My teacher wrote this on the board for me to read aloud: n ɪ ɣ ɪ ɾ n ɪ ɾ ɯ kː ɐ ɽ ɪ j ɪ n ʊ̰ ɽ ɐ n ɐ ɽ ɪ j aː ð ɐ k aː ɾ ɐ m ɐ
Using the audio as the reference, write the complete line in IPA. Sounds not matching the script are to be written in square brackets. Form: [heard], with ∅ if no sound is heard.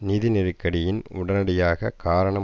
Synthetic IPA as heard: n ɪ [ð] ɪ [∅] n ɪ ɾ ɯ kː ɐ ɽ ɪ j ɪ n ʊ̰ ɽ ɐ n ɐ ɽ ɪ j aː [ɣ] ɐ k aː ɾ ɐ [ɳ] ɐ

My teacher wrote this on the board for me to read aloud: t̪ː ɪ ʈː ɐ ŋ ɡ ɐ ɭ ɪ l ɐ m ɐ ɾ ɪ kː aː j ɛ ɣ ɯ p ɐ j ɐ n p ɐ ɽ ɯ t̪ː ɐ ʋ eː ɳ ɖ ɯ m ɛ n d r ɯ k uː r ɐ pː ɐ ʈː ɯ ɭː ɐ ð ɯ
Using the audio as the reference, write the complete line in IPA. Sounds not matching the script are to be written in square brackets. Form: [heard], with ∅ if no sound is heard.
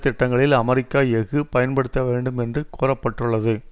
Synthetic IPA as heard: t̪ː ɪ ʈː ɐ ŋ ɡ ɐ ɭ ɪ l ɐ m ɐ ɾ ɪ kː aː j ɛ ɣ ɯ p ɐ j ɐ n p ɐ ɽ ɯ t̪ː ɐ ʋ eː ɳ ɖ ɯ m ɛ n d r ɯ k uː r ɐ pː ɐ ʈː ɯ ɭː ɐ ð ɯ

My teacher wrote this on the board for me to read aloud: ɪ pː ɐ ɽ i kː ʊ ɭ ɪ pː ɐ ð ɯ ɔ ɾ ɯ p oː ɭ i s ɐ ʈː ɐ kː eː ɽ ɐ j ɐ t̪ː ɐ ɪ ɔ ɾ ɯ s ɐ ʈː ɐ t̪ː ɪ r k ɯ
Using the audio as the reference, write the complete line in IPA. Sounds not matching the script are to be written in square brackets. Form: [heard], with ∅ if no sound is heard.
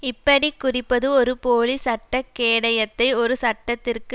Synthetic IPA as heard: ɪ pː ɐ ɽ i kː ʊ [r] ɪ pː ɐ ð ɯ ɔ ɾ ɯ p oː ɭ i s ɐ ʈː ɐ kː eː ɽ ɐ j ɐ t̪ː ɐ ɪ ɔ ɾ ɯ s ɐ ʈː ɐ t̪ː ɪ r k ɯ

